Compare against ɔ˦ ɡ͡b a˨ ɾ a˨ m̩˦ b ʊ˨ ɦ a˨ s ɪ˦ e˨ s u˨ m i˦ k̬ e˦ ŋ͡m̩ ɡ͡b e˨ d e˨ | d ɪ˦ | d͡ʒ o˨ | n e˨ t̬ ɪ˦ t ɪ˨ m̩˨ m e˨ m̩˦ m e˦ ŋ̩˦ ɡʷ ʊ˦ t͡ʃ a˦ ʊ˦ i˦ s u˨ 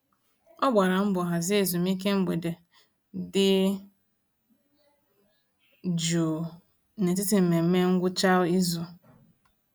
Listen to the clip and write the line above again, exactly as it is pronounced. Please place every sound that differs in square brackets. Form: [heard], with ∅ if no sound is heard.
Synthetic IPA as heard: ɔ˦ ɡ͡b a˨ ɾ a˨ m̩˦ b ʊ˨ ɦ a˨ [z] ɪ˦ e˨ [z] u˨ m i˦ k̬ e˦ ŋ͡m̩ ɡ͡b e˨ d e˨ | d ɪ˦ | d͡ʒ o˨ | n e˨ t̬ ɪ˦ t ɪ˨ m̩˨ m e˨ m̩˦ m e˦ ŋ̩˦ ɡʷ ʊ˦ t͡ʃ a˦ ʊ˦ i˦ [z] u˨